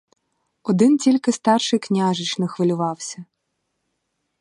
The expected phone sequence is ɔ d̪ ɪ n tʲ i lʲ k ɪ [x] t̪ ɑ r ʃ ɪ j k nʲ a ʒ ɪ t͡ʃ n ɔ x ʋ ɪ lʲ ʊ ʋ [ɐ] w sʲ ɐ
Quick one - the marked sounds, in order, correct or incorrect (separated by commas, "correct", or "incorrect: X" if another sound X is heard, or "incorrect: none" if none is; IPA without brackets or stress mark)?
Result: incorrect: s, incorrect: ɑ